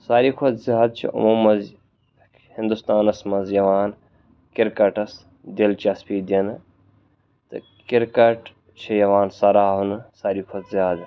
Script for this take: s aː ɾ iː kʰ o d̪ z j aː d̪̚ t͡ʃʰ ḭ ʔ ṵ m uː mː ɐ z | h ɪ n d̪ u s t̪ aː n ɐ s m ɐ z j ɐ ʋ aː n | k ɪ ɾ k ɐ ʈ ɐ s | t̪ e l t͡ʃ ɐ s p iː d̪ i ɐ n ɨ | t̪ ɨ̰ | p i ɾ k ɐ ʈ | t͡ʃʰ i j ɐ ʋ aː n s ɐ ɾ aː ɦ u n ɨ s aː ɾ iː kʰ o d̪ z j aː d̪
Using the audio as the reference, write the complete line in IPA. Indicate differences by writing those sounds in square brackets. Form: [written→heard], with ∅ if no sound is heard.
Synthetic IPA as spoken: s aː ɾ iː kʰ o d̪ z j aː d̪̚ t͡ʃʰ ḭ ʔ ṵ m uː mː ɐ z | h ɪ n d̪ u s t̪ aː n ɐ s m ɐ z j ɐ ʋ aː n | k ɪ ɾ k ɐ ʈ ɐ s | [t̪→d̪] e l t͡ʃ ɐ s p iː d̪ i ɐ n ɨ | t̪ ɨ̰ | [p→k] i ɾ k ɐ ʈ | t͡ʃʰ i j ɐ ʋ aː n s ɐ ɾ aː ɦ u n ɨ s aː ɾ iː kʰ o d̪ z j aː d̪